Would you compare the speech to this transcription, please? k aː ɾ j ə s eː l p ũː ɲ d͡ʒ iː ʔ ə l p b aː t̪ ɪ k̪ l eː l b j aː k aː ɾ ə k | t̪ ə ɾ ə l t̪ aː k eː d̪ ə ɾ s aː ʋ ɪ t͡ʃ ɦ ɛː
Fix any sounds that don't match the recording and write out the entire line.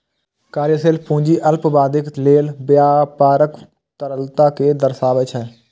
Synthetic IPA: k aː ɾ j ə s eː l p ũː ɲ d͡ʒ iː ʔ ə l p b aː d̪ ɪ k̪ l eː l b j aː p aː ɾ ə k | t̪ ə ɾ ə l t̪ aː k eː d̪ ə ɾ s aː ʋ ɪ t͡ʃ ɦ ɛː

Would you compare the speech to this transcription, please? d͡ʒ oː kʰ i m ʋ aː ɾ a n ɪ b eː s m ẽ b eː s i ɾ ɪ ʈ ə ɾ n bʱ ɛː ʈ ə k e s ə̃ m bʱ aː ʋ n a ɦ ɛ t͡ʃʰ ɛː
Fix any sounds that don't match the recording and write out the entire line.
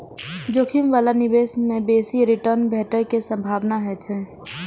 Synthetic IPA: d͡ʒ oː kʰ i m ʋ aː l a n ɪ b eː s m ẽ b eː s i ɾ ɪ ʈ ə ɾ n bʱ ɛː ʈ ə k e s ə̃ m bʱ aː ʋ n a ɦ ɛ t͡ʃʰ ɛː

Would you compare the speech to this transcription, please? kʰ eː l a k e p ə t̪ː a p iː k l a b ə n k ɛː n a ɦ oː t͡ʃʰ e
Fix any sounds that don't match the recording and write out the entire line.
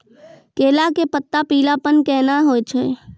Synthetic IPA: k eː l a k e p ə t̪ː a p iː l a p ə n k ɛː n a ɦ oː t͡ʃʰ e

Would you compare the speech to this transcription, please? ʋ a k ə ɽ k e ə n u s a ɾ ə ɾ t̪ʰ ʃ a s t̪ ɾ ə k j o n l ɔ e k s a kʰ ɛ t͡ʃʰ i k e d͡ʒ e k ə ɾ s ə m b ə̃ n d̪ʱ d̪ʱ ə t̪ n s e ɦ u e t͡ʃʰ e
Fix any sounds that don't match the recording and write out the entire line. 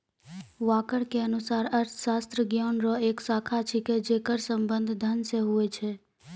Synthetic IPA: ʋ a k ə ɽ k e ə n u s a ɾ ə ɾ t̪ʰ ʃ a s t̪ ɾ ə ɡ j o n ɾ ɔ e k s a kʰ a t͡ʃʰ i k e d͡ʒ e k ə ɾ s ə m b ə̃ n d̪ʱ d̪ʱ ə n s e ɦ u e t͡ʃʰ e

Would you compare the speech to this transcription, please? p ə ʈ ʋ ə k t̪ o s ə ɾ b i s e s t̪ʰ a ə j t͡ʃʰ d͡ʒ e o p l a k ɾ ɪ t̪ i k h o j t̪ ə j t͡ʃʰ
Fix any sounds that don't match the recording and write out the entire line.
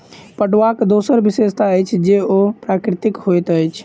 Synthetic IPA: p ə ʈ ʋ a k d̪ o s ə ɾ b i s e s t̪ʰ a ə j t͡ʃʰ d͡ʒ e o p ɾ a k ɾ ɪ t̪ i k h o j t̪ ə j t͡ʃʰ

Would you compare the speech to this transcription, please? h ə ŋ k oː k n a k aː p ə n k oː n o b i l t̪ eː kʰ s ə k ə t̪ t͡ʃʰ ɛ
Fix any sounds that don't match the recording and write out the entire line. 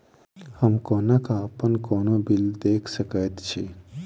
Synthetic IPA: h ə m k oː n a k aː p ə n k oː n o b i l d̪ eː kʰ s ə k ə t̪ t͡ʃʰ i

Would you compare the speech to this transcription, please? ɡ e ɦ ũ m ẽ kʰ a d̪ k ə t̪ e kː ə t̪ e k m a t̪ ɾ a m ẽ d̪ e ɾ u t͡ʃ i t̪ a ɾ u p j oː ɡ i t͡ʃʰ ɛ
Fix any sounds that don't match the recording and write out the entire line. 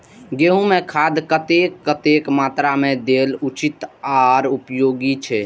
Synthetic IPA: ɡ e ɦ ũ m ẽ kʰ a d̪ k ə t̪ e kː ə t̪ e k m a t̪ ɾ a m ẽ d̪ e l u t͡ʃ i t̪ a ɾ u p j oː ɡ i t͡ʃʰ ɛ

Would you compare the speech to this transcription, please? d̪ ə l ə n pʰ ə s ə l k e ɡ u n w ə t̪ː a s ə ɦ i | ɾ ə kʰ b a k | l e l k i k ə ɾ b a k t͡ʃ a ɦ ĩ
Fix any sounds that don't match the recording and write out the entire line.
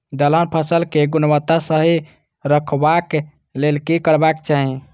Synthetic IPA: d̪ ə l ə n pʰ ə s ə l k e ɡ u n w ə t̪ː a s ə ɦ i | ɾ ə kʰ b a k | l e l k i k ə ɾ b a k t͡ʃ a ɦ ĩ

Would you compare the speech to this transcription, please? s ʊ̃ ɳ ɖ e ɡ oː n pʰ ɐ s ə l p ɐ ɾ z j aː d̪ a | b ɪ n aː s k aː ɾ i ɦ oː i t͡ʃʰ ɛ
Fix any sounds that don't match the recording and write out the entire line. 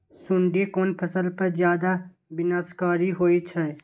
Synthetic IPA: s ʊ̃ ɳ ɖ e k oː n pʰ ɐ s ə l p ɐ ɾ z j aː d̪ a | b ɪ n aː s k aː ɾ i ɦ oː i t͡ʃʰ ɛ

